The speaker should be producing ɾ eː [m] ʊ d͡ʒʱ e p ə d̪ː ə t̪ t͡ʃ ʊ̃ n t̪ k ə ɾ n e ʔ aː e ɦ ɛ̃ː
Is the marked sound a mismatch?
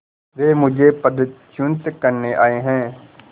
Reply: no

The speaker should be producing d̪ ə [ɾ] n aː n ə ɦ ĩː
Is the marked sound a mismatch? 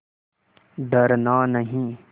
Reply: no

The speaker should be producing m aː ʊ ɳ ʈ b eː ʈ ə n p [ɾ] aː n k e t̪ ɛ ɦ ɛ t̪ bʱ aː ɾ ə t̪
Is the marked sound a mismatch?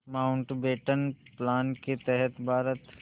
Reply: yes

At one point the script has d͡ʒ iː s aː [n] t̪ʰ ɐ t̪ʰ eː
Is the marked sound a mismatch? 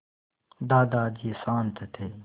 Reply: no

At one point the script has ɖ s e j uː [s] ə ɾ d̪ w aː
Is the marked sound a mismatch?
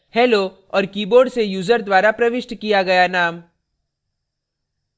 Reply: yes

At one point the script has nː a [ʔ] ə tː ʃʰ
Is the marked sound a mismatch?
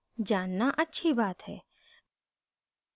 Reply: no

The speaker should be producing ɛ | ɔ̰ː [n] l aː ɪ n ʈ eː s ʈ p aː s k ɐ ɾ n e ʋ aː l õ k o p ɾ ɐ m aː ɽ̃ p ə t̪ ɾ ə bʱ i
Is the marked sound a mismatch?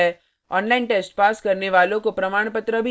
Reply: no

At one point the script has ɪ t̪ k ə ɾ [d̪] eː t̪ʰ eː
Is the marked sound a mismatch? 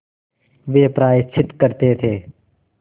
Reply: yes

